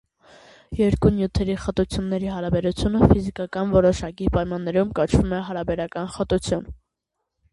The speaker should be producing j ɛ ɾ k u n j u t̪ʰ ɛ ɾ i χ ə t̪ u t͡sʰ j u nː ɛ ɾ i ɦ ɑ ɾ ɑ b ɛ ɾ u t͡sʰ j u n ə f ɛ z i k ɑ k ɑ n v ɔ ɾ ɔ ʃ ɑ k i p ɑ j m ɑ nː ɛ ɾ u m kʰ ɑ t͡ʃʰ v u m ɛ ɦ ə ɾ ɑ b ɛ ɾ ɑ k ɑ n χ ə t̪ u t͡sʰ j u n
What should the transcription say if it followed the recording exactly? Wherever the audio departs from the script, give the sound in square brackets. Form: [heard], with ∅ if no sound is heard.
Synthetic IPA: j ɛ ɾ k u n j u t̪ʰ ɛ ɾ i χ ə t̪ u t͡sʰ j u nː ɛ ɾ i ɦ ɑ ɾ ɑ b ɛ ɾ u t͡sʰ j u n ə f [i] z i k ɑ k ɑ n v ɔ ɾ ɔ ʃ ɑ k i p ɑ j m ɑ nː ɛ ɾ u m [k] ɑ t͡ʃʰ v u m ɛ ɦ [ɑ] ɾ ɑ b ɛ ɾ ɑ k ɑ n χ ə t̪ u t͡sʰ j u n